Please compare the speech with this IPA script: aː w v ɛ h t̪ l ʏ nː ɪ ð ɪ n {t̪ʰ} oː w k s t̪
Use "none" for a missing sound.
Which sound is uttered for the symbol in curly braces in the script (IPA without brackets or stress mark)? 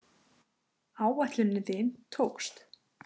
t̪ʰ